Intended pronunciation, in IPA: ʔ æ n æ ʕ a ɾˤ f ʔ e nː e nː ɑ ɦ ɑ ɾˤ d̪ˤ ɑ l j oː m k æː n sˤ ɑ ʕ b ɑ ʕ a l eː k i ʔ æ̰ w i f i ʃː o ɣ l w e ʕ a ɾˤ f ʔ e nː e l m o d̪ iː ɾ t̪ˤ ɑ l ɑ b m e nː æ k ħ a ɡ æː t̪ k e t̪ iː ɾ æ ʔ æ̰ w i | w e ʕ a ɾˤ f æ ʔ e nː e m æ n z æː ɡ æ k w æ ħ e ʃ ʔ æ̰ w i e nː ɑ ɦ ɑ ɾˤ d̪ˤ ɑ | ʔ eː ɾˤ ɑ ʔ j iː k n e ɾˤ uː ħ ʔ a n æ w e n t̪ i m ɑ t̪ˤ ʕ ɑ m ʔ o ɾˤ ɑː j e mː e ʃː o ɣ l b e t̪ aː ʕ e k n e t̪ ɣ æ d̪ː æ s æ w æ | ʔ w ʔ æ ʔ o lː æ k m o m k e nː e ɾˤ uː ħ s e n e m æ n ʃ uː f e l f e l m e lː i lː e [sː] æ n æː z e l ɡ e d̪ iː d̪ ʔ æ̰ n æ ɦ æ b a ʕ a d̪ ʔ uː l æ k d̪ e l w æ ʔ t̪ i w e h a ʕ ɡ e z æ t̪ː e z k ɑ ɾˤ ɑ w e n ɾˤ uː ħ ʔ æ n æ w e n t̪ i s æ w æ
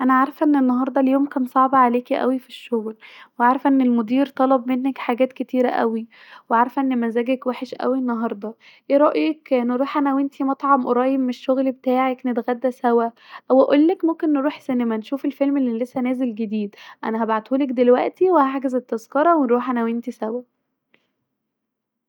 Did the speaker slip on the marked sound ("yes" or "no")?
no